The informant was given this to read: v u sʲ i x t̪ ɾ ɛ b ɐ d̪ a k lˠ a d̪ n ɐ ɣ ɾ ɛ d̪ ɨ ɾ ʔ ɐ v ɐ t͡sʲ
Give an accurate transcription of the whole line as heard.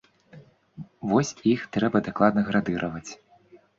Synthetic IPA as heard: v ɔ sʲ i x t̪ ɾ ɛ b ɐ d̪ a k lˠ a d̪ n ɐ ɣ ɾ a d̪ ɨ ɾ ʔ ɐ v ɐ t͡sʲ

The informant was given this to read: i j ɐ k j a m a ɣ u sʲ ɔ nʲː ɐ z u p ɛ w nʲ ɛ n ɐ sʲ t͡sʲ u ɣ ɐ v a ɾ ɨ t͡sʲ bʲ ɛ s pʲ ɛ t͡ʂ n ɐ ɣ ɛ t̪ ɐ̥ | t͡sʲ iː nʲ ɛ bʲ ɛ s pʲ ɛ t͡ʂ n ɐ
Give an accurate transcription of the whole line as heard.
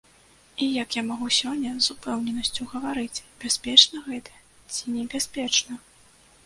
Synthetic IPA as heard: i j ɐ k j a m a ɣ u sʲ ɔ nʲː ɐ z u p ɛ w nʲ ɛ n ɐ sʲ t͡sʲ u ɣ ɐ v a ɾ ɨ t͡sʲ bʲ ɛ s pʲ ɛ t͡ʂ n ɐ ɣ ɛ t̪ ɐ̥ | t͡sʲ i nʲ ɛ bʲ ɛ s pʲ ɛ t͡ʂ n ɐ

